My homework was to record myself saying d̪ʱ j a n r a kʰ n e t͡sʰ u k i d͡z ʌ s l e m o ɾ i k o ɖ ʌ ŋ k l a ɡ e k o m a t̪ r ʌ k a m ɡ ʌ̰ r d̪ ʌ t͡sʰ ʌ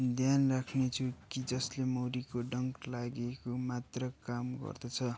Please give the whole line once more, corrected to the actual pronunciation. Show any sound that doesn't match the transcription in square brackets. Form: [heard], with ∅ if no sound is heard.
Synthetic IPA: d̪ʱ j a n r a kʰ n e t͡sʰ u k i d͡z ʌ s l e m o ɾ i k o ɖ ʌ ŋ k l a ɡ e k o m a t̪ r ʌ k a m ɡ ʌ̰ r d̪ ʌ t͡sʰ ʌ

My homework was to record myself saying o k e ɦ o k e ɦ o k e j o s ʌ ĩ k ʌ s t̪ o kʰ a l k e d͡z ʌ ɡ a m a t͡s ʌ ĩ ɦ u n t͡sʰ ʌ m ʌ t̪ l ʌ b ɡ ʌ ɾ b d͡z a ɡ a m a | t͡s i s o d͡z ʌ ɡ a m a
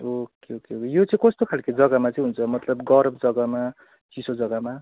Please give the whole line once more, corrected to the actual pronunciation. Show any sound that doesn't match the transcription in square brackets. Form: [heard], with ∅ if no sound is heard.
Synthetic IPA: o k e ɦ o k e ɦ o k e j o [t͡s] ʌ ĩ k ʌ s t̪ o kʰ a l k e d͡z ʌ ɡ a m a t͡s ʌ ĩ ɦ u n t͡sʰ ʌ m ʌ t̪ l ʌ b ɡ ʌ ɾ b d͡z [ʌ] ɡ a m a | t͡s i s o d͡z ʌ ɡ a m a

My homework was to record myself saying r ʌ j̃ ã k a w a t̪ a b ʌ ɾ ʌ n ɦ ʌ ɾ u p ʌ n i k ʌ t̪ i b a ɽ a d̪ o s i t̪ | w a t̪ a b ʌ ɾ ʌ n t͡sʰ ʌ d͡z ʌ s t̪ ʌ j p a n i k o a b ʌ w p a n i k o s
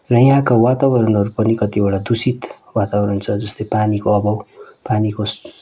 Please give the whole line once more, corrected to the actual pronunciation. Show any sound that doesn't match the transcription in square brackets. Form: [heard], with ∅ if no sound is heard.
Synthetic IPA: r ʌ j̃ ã k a w a t̪ a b ʌ ɾ ʌ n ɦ ʌ ɾ u p ʌ n i k ʌ t̪ i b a ɽ a d̪ [u] s i t̪ | w a t̪ a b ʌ ɾ ʌ n t͡sʰ ʌ d͡z ʌ s t̪ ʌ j p a n i k o [ʌ] b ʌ w p a n i k o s

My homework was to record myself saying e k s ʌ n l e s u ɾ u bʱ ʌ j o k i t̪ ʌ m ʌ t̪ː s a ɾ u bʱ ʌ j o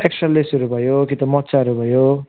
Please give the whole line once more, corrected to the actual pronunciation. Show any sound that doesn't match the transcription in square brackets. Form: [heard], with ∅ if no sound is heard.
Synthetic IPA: e k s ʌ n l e s u ɾ u bʱ ʌ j o k i t̪ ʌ m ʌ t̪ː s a ɾ u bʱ ʌ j o

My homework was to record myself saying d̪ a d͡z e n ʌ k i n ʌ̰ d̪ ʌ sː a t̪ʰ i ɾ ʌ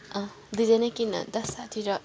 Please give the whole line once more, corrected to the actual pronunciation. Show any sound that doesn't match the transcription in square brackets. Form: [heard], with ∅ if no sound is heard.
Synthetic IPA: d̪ [i] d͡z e n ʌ k i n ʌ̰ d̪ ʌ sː a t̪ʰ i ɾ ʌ

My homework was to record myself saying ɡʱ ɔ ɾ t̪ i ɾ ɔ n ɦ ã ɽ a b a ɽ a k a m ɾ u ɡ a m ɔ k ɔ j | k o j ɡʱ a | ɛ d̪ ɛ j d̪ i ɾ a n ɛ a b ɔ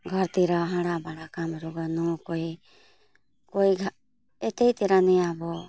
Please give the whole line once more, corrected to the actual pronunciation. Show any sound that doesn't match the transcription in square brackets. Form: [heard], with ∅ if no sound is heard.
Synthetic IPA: ɡʱ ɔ ɾ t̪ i ɾ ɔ [∅] ɦ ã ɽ a b a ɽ a k a m ɾ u ɡ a [n] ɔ k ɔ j | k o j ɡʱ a | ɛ [t̪] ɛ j [t̪] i ɾ a n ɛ a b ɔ

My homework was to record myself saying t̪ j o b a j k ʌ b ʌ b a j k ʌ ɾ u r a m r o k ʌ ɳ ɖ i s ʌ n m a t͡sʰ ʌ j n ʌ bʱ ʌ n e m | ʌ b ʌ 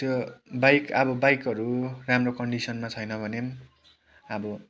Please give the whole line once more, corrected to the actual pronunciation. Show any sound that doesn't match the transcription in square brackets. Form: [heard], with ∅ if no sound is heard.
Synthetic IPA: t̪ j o b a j k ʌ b ʌ b a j k ʌ ɾ u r a m r o k ʌ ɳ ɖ i s ʌ n m a t͡sʰ ʌ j n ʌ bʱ ʌ n e m | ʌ b ʌ

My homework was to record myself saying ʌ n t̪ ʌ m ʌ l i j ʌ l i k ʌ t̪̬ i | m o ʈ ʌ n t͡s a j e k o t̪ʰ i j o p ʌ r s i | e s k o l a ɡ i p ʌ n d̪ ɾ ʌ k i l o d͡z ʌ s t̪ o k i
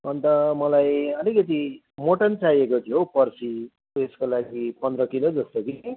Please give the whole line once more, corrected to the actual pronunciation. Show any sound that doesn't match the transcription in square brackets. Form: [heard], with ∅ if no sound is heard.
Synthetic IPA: ʌ n t̪ ʌ m ʌ l [a] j ʌ l i k ʌ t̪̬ i | m o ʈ ʌ n t͡s a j e k o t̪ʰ i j o p ʌ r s i | e s k o l a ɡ i p ʌ n d̪ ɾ ʌ k i l o d͡z ʌ s t̪ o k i

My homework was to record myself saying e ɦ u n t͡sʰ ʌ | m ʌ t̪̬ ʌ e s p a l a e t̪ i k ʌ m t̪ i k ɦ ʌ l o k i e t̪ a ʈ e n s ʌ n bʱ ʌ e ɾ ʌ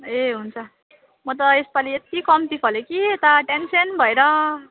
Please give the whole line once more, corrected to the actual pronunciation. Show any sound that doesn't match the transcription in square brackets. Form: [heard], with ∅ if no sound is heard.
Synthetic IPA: e ɦ u n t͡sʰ ʌ | m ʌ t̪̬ ʌ e s p a l [i] e t̪ i k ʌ m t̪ i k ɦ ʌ l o k i e t̪ a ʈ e n s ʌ n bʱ ʌ e ɾ ʌ

